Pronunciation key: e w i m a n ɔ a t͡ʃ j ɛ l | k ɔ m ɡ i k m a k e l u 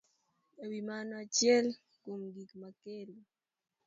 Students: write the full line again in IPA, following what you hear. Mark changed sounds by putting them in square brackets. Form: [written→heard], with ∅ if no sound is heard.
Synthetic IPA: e w i m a n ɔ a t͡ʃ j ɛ l | k [ɔ→u] m ɡ i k m a k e l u